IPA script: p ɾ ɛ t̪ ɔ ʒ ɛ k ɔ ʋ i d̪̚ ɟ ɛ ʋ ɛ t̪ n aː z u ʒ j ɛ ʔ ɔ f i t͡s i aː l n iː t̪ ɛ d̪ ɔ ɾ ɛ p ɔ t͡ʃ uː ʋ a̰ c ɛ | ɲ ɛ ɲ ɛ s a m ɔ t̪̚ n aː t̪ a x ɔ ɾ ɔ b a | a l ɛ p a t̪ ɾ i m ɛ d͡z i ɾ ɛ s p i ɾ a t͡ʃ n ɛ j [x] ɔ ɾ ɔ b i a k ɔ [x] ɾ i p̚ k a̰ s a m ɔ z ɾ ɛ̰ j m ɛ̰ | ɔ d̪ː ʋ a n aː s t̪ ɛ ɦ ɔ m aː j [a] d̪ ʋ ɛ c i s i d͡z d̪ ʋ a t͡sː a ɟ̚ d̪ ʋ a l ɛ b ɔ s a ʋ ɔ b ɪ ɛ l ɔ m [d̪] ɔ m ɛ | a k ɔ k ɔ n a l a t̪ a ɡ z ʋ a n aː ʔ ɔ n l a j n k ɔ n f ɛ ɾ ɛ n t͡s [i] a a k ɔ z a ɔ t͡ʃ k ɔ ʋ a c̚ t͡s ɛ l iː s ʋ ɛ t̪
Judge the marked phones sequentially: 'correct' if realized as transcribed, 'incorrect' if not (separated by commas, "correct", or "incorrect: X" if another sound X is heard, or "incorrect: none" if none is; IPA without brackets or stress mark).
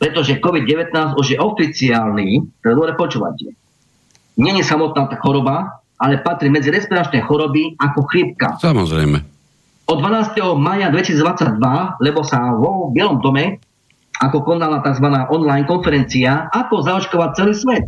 correct, correct, correct, correct, correct